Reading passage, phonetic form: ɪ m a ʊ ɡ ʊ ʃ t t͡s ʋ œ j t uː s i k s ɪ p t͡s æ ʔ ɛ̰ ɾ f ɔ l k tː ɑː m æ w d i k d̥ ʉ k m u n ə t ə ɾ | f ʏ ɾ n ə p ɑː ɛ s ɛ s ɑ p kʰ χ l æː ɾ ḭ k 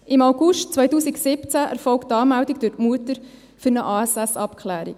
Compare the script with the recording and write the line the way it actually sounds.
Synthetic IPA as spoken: ɪ m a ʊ ɡ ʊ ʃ t t͡s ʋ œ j t uː s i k s ɪ p t͡s æ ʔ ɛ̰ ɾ f ɔ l k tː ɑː m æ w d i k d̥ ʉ t m u ə t ə ɾ | f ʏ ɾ n ə ʔ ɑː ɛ s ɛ s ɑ p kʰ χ l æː ɾ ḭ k

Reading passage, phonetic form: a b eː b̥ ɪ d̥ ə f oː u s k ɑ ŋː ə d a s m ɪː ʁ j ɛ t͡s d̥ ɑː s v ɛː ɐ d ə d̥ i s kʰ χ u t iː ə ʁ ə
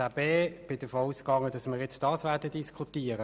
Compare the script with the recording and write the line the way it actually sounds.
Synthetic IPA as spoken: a b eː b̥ ɪ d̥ ə f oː u s k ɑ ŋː ə d ɑ s m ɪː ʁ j ɛ t͡s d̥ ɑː s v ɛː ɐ d ə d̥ i s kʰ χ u t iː ə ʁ ə

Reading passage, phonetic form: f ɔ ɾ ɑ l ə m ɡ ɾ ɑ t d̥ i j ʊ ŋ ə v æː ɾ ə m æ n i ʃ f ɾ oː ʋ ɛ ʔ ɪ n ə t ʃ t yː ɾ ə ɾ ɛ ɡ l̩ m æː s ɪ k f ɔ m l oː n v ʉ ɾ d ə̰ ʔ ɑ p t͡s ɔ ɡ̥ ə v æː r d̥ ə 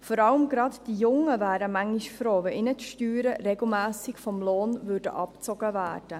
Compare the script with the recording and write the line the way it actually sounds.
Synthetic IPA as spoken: f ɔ ɾ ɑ l ə m ɡ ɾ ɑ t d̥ i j ʊ ŋ ə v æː ɾ ə m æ ŋ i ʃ f ɾ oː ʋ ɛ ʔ ɪ n ə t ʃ t yː ɾ ə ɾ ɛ ɡ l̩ m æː s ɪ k f ɔ m l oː n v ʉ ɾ d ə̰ ʔ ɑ p t͡s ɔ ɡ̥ ə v æː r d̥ ə

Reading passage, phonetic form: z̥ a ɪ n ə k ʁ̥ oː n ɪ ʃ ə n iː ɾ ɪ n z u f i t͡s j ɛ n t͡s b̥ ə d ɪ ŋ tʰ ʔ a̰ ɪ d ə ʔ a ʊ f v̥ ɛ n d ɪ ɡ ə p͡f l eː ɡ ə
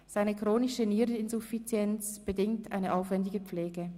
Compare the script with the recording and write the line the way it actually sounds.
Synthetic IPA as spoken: z̥ a ɪ n ə k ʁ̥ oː n ɪ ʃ ə n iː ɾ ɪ n z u f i t͡s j ɛ n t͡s b̥ ə d ɪ ŋ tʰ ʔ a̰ ɪ n ə ʔ a ʊ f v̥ ɛ n d ɪ ɡ ə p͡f l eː ɡ ə

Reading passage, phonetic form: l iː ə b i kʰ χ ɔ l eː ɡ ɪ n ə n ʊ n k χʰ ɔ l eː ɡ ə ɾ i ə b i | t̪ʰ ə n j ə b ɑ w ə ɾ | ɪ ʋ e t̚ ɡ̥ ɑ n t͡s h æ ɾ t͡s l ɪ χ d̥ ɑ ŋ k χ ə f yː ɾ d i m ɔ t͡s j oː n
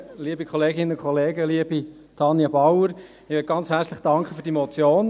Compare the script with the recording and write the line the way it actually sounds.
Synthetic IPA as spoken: l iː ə b i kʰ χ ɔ l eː ɡ ɪ n ə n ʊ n k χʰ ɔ l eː ɡ ə l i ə b i | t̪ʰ ɑ n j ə b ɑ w ə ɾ | ɪ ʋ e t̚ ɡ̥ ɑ n t͡s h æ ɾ t͡s l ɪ χ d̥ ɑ ŋ k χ ə f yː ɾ d i m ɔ t͡s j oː n

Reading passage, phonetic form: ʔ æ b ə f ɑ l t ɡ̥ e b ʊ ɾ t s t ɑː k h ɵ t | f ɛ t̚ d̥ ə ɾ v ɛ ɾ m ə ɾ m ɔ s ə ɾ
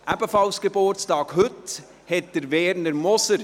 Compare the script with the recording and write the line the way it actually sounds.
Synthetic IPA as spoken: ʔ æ b ə f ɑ l s ɡ̥ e b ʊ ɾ t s t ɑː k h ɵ t | h ɛ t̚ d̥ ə ɾ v ɛ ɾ n ə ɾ m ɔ s ə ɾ

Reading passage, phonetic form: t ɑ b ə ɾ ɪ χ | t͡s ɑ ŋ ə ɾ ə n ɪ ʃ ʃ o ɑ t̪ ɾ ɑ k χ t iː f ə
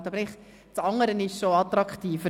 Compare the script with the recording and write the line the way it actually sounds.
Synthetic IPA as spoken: t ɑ b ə ɾ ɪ χ | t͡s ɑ ŋ ə ɾ ə n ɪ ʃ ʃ o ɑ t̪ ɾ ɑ k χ t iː f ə

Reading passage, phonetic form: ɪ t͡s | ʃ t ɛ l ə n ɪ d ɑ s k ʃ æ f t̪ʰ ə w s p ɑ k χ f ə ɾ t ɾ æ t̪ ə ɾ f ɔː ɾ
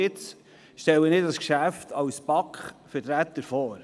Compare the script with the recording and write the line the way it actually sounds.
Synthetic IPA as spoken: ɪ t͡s | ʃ t ɛ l ə n ɪ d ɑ s k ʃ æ f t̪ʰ ɑ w s p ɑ k χ f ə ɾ t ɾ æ t̪ ə ɾ f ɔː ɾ

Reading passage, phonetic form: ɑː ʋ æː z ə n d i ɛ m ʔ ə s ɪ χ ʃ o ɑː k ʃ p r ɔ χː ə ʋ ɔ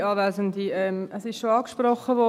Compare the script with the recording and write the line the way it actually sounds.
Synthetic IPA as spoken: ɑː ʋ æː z ə n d i ɛ m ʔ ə s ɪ ʃ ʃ o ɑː k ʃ p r ɔ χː ə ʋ ɔ

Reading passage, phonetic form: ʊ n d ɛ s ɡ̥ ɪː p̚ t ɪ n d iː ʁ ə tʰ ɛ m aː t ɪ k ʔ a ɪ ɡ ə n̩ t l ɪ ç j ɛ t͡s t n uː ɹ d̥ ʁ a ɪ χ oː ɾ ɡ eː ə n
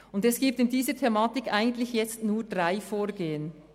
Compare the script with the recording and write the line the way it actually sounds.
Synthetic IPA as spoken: ʊ n d ɛ s ɡ̥ iː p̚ t ɪ n d iː z ə tʰ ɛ m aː t ɪ k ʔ a ɪ ɡ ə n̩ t l ɪ ç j ɛ t͡s t n uː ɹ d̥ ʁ a ɪ f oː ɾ ɡ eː ə n

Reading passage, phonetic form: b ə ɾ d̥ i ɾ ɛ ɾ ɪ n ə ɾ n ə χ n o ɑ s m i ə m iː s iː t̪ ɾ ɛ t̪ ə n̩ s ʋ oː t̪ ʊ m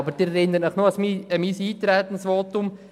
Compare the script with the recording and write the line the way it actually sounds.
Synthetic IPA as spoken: b ə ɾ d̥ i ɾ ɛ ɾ ɪ n ə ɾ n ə χ n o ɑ s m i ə m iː s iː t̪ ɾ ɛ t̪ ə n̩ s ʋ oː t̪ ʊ m

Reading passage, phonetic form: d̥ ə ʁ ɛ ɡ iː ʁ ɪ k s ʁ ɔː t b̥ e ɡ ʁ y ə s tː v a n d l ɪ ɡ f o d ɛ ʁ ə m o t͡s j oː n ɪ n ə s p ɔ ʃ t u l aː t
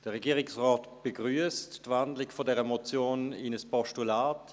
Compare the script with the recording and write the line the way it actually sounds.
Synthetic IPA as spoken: d̥ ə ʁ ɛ ɡ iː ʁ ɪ k s ʁ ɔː t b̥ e ɡ ʁ y ə s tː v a n d l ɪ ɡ f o d ɛ ʁ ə m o t͡s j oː n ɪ n ə s p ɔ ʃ t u l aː t

